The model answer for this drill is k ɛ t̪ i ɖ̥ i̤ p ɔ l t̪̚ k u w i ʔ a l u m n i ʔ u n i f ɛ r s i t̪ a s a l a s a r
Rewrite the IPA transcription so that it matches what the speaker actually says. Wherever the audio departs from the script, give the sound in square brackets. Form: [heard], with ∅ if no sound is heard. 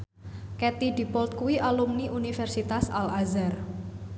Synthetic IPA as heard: k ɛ t̪ i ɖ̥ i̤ p ɔ l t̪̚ k u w i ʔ a l u m n i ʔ u n i f ɛ r s i t̪ a s a l a [z] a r